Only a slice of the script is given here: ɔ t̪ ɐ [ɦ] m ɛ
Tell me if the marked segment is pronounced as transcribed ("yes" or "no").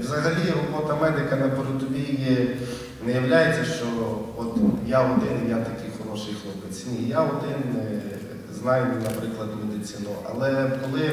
no